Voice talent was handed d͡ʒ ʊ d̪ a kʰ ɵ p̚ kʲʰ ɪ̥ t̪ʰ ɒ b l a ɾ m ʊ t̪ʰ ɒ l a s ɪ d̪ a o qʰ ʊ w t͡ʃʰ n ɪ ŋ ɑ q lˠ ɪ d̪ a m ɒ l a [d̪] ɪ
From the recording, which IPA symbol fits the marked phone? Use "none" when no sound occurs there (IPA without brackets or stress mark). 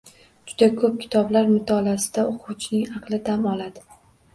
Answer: d̪